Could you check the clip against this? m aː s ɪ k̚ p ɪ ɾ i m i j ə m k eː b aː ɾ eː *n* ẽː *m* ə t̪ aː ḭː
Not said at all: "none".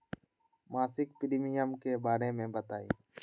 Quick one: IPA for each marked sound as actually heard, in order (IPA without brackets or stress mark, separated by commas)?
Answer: m, b